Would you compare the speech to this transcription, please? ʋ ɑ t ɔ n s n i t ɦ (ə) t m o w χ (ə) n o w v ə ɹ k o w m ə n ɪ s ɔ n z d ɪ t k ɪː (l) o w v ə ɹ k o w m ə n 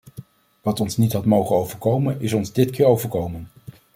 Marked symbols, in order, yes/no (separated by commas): no, yes, no